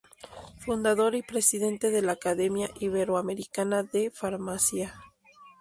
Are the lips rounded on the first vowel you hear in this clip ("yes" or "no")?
yes